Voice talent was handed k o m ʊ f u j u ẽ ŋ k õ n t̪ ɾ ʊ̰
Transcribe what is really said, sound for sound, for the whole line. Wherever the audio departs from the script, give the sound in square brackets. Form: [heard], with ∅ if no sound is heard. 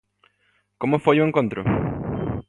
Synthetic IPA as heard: k o m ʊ f [o] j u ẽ ŋ k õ n t̪ ɾ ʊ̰